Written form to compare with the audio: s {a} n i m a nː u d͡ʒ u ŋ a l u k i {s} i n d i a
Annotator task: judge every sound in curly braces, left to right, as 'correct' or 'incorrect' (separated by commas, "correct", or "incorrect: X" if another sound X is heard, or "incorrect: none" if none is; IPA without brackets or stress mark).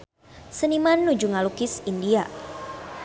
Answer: incorrect: ə, correct